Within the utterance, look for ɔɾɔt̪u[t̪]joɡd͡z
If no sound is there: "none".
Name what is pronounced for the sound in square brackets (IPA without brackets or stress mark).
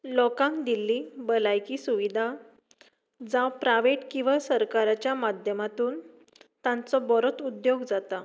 d̪